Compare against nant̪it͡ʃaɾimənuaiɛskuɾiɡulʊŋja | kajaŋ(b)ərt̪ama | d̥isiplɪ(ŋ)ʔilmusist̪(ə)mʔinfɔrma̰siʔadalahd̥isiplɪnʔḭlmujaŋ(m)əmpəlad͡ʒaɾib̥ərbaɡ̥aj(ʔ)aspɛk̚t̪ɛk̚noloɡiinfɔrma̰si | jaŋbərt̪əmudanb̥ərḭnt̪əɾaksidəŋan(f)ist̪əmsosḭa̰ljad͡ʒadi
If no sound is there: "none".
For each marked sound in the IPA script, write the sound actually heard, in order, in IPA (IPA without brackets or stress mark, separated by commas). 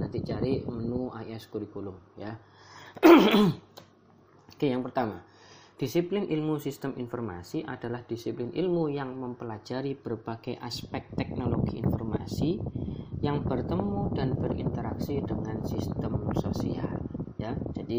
p, n, ə, m, ʔ, s